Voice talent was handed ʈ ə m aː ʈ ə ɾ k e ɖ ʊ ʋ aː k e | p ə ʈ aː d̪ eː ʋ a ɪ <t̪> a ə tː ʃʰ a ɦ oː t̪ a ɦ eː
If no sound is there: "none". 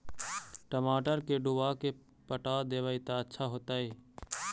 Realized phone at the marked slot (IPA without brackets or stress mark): t̪